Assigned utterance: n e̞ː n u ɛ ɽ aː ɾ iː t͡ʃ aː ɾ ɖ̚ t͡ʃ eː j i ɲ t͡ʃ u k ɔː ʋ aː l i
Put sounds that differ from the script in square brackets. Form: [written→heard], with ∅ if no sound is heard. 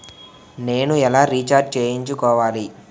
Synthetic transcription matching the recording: n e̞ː n u ɛ [ɽ→l] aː ɾ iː t͡ʃ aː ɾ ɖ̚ t͡ʃ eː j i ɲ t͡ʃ u k ɔː ʋ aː l i